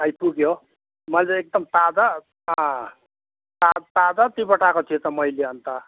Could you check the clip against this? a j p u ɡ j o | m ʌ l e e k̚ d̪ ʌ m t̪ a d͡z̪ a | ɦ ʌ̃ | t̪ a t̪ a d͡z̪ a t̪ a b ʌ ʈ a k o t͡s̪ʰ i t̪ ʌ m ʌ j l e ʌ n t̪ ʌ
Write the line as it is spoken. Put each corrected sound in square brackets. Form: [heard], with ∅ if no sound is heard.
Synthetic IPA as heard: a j p u ɡ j o | m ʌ l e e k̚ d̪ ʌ m t̪ a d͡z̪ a | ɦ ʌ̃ | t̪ a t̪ a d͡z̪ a t̪ [i] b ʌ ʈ a k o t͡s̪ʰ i t̪ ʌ m ʌ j l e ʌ n t̪ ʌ